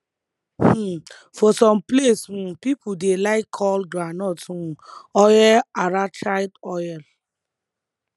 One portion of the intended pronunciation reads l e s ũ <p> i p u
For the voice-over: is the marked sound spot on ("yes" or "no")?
yes